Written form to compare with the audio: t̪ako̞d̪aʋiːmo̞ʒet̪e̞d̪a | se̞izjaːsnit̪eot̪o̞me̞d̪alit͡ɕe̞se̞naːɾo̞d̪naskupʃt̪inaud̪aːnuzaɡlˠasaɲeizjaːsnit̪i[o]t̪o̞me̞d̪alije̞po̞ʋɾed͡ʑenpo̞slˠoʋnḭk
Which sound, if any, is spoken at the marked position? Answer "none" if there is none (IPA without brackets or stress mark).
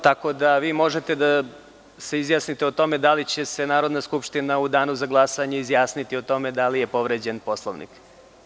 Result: o